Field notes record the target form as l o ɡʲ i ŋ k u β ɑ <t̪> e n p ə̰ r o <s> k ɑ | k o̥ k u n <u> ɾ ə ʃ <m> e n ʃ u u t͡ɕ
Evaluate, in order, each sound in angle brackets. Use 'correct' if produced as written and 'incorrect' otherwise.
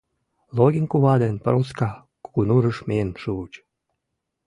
incorrect: d̪, correct, correct, correct

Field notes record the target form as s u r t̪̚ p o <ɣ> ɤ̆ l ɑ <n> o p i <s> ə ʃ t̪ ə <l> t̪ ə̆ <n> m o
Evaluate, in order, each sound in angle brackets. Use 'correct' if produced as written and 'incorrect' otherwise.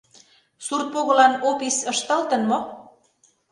correct, correct, correct, correct, correct

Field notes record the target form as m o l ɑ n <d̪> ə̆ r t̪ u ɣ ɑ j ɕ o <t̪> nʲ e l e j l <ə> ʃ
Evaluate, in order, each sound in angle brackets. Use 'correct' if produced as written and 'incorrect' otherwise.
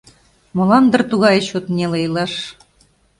correct, correct, incorrect: ɑ

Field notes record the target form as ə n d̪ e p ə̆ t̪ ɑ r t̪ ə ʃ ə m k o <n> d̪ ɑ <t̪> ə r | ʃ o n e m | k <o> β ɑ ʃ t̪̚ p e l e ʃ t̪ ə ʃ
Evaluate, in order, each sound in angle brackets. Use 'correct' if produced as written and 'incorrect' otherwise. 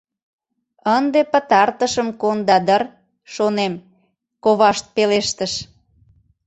correct, incorrect: d̪, correct

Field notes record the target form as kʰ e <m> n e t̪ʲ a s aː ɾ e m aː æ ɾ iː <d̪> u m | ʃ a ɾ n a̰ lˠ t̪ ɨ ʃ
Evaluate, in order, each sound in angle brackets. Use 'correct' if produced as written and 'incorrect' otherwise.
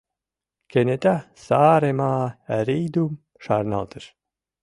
incorrect: none, correct

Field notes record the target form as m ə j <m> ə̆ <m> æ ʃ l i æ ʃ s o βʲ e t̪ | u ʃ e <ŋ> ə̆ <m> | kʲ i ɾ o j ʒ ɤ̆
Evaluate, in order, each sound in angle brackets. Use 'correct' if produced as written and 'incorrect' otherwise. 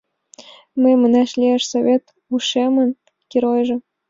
correct, incorrect: n, incorrect: m, incorrect: n

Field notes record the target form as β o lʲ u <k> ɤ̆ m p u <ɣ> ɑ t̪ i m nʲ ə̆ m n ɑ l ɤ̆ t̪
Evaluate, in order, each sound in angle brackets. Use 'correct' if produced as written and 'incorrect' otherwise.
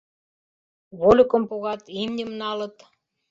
correct, correct

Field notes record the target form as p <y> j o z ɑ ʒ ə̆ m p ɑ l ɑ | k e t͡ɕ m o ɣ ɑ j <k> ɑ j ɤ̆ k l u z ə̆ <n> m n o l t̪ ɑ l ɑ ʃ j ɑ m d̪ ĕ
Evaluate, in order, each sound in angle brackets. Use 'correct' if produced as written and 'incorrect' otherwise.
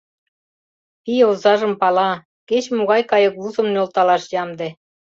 incorrect: i, correct, incorrect: none

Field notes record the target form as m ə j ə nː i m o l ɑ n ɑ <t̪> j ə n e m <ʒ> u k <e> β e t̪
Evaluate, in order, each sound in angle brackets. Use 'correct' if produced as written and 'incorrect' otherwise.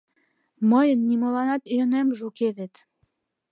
correct, correct, correct

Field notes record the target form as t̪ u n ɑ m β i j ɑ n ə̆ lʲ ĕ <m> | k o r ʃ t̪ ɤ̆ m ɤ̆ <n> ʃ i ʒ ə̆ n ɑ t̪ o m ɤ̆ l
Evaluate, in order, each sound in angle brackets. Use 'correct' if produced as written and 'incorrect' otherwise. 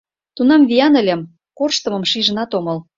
correct, incorrect: m

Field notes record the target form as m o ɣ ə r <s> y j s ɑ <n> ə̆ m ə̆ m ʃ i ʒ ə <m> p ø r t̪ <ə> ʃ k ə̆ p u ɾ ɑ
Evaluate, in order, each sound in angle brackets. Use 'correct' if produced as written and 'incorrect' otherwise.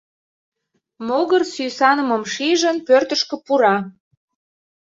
correct, correct, incorrect: n, correct

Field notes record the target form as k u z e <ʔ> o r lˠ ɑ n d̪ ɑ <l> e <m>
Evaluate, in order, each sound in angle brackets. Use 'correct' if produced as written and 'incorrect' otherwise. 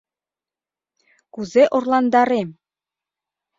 correct, incorrect: ɾ, correct

